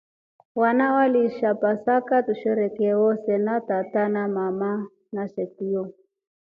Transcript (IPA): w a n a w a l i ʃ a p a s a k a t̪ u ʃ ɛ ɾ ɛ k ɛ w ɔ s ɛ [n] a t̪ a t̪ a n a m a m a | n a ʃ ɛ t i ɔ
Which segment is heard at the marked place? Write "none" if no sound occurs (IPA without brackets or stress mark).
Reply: n